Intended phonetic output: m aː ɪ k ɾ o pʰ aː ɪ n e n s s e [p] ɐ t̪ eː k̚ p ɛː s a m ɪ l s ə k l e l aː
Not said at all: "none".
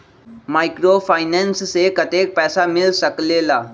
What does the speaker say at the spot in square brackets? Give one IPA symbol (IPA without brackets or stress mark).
k